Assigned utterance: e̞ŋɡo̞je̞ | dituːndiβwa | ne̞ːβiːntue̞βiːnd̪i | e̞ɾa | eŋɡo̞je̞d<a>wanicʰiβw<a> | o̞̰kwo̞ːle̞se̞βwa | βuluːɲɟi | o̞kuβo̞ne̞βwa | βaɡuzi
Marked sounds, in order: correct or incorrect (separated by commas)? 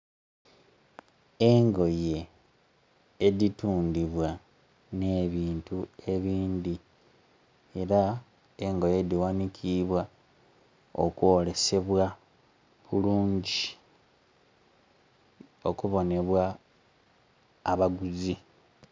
incorrect, correct